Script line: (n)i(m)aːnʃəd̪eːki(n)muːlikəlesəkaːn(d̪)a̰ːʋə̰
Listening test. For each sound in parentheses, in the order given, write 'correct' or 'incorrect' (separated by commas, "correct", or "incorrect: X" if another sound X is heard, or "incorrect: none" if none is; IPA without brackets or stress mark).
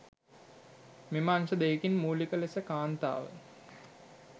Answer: incorrect: m, correct, correct, incorrect: t̪